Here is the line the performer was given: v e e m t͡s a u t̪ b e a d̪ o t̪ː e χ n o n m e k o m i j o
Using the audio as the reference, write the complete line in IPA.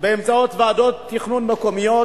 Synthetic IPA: b e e m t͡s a o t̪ v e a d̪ o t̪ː i χ n u n m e k o m i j o